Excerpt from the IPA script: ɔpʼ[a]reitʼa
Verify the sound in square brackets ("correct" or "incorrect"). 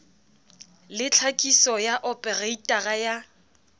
incorrect